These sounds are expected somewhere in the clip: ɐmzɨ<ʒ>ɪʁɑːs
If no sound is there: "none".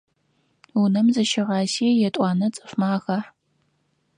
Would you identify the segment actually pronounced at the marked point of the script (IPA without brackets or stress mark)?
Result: ʃ